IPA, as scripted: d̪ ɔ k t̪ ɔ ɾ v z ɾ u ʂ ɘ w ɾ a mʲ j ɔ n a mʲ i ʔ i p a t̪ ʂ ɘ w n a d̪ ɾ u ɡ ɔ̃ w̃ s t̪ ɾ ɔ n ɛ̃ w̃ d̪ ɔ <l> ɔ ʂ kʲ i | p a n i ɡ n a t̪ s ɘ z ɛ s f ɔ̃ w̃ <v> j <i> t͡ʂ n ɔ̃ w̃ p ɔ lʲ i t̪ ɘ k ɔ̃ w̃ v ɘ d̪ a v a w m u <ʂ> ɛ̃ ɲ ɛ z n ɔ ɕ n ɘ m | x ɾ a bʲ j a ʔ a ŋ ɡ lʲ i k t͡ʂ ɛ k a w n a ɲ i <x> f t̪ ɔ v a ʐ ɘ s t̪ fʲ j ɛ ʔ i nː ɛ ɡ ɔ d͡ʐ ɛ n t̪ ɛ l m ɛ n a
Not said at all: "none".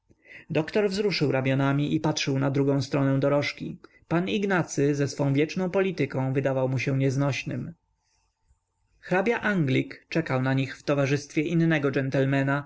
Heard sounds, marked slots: ɾ, v, ɛ, ɕ, x

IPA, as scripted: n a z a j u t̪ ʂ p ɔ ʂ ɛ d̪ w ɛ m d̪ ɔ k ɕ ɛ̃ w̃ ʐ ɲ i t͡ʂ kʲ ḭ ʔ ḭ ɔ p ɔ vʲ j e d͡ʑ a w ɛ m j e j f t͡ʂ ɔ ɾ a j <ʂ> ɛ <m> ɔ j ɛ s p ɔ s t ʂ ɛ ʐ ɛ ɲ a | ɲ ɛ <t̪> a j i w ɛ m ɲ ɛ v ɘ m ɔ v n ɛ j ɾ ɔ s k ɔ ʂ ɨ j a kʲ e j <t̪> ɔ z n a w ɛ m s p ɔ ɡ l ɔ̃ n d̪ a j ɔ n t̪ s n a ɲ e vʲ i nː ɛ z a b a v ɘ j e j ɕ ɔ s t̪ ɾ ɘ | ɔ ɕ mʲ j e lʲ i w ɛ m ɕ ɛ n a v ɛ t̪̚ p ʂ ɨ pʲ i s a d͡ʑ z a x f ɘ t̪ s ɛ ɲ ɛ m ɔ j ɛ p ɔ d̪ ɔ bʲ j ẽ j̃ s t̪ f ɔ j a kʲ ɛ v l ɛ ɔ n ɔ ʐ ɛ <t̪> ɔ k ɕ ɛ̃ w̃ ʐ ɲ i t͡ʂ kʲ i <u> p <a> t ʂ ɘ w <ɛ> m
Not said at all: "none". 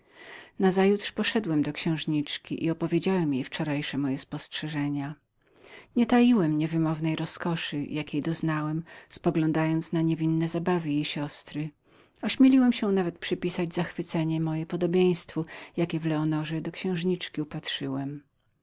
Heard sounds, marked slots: ʂ, m, t̪, d̪, d̪, u, a, ɛ

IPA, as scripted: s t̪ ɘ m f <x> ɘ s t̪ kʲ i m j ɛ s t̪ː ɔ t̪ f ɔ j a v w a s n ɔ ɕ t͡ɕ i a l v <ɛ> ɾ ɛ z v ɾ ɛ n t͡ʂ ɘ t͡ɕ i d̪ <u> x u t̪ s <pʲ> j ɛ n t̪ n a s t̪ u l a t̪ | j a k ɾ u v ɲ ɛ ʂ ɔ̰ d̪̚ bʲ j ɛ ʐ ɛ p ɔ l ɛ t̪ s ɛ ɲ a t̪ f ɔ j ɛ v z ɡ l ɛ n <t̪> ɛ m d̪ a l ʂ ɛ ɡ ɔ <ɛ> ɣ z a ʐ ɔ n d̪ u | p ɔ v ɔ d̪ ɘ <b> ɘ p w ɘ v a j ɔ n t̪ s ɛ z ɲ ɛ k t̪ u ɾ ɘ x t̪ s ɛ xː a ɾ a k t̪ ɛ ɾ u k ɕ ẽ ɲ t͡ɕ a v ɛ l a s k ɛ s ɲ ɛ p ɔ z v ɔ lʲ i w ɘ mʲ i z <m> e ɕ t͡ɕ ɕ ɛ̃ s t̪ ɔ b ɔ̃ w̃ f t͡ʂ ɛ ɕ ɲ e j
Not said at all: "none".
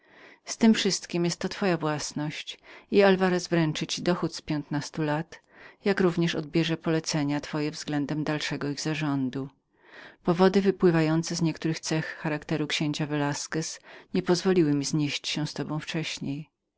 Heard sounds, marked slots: ʂ, a, ɔ, pʲ, d̪, i, v, ɲ

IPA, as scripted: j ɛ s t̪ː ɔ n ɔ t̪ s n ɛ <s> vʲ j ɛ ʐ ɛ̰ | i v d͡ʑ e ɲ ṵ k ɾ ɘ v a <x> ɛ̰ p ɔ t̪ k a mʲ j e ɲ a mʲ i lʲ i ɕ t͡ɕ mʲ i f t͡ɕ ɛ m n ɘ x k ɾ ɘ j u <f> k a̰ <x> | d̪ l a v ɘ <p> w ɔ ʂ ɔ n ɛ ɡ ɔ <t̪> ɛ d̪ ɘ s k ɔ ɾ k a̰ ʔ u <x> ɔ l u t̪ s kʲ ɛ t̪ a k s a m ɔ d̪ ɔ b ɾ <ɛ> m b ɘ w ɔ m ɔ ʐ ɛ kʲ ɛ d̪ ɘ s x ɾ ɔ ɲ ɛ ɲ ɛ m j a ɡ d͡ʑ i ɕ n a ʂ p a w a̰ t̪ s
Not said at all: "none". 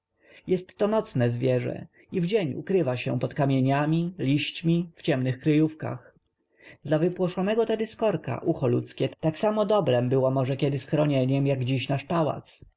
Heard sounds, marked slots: z, ɕ, f, x, p, t̪, x, ɛ

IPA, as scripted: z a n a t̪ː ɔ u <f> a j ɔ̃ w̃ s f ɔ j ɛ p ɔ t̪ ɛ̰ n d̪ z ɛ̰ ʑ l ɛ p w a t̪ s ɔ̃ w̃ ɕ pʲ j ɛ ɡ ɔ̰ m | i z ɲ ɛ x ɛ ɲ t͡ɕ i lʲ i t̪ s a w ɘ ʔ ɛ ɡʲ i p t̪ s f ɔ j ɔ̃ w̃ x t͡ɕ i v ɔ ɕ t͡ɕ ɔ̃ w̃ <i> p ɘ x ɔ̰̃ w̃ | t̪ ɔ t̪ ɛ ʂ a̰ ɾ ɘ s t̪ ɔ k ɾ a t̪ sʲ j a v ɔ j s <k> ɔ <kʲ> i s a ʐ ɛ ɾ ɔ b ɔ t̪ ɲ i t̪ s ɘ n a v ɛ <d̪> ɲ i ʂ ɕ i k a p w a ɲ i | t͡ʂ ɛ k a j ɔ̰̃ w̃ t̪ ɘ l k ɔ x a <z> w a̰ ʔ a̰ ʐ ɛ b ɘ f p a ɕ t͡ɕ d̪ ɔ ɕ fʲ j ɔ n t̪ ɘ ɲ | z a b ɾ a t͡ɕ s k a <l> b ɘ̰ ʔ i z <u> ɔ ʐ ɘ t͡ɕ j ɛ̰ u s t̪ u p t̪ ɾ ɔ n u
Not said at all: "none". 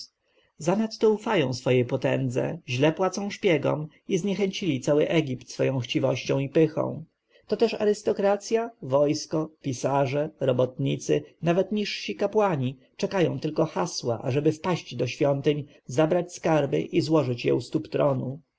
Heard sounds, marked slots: f, i, k, pʲ, t̪, s, ɾ, w

